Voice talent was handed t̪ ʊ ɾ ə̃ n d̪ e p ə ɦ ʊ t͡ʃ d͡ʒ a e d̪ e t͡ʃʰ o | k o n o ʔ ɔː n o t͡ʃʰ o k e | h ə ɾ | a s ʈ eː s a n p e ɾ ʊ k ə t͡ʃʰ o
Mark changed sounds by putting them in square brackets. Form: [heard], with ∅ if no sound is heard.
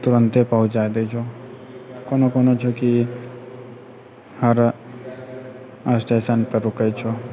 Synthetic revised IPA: t̪ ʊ ɾ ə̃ n [t̪] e p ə ɦ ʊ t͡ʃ d͡ʒ a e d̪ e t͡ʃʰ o | k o n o [k] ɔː n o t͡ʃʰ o k [i] | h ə ɾ | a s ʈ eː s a n p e ɾ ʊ k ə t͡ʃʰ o